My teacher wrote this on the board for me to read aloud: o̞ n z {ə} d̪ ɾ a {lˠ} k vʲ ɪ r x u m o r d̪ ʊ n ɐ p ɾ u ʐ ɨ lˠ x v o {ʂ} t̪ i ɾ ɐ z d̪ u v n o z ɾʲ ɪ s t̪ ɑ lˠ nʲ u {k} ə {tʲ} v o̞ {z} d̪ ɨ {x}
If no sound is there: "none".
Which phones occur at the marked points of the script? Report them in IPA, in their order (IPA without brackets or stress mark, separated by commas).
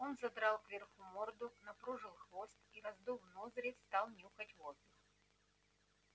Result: ɐ, lˠ, s, x, tʲ, z, x